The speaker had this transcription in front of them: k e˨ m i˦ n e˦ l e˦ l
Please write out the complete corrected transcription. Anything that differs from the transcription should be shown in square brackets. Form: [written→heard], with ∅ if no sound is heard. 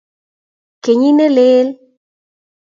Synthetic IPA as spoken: k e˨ [m→ɲ] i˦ n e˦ l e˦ l